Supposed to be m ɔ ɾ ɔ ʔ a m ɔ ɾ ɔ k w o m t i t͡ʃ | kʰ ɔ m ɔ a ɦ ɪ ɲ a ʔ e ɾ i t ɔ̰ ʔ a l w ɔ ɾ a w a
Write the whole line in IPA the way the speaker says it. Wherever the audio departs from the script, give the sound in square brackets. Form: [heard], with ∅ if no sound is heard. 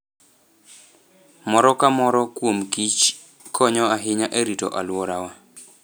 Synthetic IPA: m ɔ ɾ ɔ [k] a m ɔ ɾ ɔ k w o m [k] i t͡ʃ | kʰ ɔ [ɲ] ɔ a ɦ ɪ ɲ a ʔ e ɾ i t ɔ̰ ʔ a l w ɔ ɾ a w a